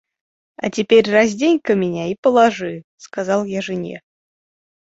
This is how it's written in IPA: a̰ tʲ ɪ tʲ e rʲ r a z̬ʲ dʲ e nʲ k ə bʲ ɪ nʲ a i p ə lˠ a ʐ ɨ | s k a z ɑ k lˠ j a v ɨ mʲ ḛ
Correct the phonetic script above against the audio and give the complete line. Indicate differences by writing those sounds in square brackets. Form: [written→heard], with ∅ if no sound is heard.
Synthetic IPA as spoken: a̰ tʲ ɪ [tʲ→pʲ] e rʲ r a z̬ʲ dʲ e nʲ k ə [bʲ→mʲ] ɪ nʲ a i p ə lˠ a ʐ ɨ | s k a z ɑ [k→∅] lˠ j a [v→ʐ] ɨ [mʲ→nʲ] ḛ